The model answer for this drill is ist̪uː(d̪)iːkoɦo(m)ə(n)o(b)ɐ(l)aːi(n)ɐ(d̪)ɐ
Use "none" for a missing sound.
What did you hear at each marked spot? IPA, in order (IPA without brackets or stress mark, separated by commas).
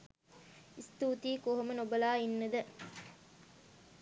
t̪, m, n, b, l, nː, d̪